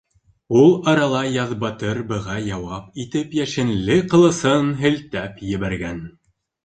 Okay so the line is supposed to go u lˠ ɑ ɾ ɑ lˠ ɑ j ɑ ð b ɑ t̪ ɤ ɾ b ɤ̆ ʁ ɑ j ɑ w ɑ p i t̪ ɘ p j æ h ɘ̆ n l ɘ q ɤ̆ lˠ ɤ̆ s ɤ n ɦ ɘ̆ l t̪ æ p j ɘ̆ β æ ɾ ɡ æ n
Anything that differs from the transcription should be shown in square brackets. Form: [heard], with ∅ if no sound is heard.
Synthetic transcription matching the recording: u lˠ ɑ ɾ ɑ lˠ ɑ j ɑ ð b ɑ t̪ ɤ ɾ b ɤ̆ ʁ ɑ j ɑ w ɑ p i t̪ ɘ p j æ [ʃ] ɘ̆ n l ɘ q ɤ̆ lˠ ɤ̆ s ɤ n ɦ ɘ̆ l t̪ æ p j ɘ̆ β æ ɾ ɡ æ n